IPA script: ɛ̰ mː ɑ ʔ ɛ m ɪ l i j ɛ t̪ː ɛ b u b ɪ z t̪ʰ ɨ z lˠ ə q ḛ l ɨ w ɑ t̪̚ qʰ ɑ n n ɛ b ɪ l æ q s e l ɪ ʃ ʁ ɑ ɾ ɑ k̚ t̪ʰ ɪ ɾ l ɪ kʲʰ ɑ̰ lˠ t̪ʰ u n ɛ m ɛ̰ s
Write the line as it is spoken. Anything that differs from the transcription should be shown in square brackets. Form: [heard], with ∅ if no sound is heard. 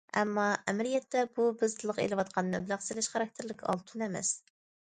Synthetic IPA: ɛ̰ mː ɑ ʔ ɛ m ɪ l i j ɛ t̪ː ɛ b u b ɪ z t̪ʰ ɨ [∅] lˠ ə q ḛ l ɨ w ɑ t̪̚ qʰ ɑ n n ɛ b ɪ l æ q s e l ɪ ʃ [χ] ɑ ɾ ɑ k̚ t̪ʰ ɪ ɾ l ɪ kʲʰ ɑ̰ lˠ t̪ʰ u n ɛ m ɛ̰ s